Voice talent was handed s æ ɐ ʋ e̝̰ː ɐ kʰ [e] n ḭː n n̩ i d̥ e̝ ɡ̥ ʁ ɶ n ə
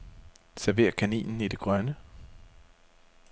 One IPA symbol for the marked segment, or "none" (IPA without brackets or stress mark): æ